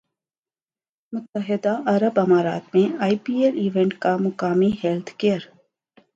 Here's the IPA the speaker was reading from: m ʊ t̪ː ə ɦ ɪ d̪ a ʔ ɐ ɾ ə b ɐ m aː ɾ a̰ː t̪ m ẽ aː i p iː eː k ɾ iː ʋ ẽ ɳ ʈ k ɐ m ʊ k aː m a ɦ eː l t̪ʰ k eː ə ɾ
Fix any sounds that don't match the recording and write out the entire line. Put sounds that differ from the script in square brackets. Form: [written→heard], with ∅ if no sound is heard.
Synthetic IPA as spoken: m ʊ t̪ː ə ɦ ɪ d̪ a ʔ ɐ ɾ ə b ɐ m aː ɾ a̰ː t̪ m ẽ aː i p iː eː [k→∅] ɾ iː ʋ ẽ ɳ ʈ k [ɐ→a] m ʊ k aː m [a→i] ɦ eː l t̪ʰ k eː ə ɾ